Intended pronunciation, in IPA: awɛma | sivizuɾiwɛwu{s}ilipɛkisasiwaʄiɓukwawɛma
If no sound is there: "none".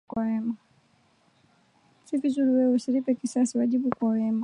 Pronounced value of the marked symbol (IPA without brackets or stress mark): s